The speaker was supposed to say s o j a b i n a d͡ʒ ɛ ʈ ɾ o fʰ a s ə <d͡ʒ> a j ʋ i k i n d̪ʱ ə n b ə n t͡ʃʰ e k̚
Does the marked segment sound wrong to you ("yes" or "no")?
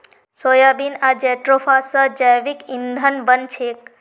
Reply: no